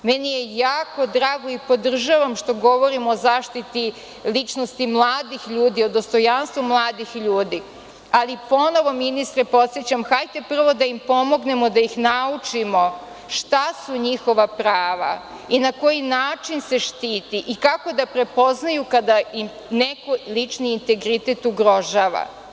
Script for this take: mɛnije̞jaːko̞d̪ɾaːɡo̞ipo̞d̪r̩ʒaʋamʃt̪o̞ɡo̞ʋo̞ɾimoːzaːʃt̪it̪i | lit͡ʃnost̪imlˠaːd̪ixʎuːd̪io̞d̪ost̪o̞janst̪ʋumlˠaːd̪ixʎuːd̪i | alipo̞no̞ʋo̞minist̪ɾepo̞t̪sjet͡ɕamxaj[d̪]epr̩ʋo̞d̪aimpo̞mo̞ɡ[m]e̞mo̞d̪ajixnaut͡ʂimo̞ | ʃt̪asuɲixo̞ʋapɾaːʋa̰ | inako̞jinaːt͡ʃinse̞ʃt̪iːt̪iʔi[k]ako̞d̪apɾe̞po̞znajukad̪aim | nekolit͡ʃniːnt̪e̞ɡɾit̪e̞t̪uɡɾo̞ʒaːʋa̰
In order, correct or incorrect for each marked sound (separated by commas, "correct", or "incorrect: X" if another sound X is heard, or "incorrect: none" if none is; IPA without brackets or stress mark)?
incorrect: t̪, incorrect: n, correct